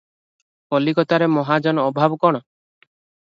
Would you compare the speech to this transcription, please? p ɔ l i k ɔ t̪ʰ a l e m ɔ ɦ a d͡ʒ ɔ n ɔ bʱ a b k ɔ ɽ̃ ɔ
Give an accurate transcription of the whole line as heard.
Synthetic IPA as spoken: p ɔ l i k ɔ t̪ a ɾ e m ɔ ɦ a d͡ʒ ɔ n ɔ bʱ a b k ɔ ɽ̃ ɔ